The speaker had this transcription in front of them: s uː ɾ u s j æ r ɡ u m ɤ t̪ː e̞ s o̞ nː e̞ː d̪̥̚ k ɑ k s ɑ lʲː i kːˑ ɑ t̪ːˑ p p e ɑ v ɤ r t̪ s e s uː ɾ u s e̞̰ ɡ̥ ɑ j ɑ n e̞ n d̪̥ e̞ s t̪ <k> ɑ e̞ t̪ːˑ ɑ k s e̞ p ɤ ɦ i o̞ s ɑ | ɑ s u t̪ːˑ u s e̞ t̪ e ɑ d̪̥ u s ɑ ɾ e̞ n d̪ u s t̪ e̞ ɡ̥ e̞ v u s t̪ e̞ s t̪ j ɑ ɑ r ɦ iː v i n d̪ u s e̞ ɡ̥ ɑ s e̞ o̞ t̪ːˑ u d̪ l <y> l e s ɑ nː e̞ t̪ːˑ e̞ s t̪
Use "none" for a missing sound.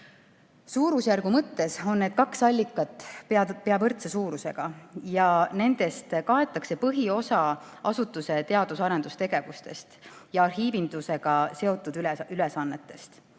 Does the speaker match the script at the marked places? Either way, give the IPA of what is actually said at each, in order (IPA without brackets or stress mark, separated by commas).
k, y